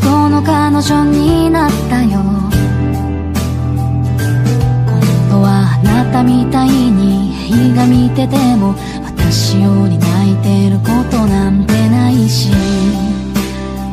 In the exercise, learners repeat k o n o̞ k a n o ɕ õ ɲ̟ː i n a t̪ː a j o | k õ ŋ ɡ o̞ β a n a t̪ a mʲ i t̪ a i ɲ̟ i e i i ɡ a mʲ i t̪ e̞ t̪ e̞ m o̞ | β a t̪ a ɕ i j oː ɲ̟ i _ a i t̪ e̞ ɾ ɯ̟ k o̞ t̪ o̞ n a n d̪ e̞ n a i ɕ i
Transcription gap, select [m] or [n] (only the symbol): n